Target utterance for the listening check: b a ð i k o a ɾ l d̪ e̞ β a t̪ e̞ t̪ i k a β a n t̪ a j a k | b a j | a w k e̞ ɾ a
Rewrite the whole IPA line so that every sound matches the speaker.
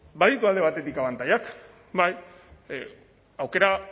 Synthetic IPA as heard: b a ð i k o a l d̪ e̞ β a t̪ e̞ t̪ i k a β a n t̪ a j a k | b a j | a w k e̞ ɾ a